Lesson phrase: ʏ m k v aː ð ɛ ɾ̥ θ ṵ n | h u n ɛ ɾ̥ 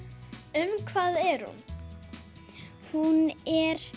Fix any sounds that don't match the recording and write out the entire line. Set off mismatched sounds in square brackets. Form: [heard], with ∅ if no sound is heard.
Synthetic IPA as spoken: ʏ m [kʰ] v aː ð ɛ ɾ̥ [h] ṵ n | h u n ɛ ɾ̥